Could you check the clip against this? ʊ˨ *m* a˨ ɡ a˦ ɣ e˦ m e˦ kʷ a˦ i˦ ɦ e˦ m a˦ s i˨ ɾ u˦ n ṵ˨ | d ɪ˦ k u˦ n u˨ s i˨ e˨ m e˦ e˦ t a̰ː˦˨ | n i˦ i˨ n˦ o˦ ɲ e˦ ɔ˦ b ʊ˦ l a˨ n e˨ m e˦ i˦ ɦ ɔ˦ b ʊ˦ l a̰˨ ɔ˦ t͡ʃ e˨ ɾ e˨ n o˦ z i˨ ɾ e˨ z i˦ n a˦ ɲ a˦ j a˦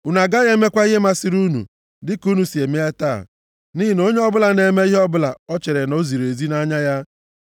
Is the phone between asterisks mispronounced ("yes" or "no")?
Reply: yes